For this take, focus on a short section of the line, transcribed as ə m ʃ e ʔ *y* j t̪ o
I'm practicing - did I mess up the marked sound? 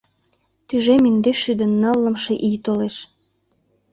yes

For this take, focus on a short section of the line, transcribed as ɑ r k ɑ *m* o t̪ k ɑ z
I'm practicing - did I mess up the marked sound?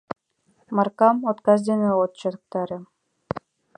no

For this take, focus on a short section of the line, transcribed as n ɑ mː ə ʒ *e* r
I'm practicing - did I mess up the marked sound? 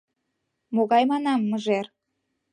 no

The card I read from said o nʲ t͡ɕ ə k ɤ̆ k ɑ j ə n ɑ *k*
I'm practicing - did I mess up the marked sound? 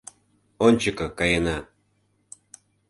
yes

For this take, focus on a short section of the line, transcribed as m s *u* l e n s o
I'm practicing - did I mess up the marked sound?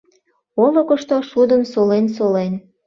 yes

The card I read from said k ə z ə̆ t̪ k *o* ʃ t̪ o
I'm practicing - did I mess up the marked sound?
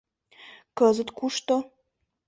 yes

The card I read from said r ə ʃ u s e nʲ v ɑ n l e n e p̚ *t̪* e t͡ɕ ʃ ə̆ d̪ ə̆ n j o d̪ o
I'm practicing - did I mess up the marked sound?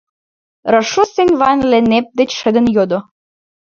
yes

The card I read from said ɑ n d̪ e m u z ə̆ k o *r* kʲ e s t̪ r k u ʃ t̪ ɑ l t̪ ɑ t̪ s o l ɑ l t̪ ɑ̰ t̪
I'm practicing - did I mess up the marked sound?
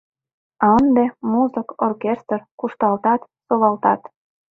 no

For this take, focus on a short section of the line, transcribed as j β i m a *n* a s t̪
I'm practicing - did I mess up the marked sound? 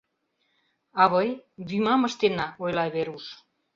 yes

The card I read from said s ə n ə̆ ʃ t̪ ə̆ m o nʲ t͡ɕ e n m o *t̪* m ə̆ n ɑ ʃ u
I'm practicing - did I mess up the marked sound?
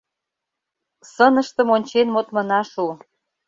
no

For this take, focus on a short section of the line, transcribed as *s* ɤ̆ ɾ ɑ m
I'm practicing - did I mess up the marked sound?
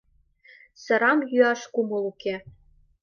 no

